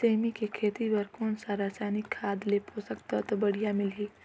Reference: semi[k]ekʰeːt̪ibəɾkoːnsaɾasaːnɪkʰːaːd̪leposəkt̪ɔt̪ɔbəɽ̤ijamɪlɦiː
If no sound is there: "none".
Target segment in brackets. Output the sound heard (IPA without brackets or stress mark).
k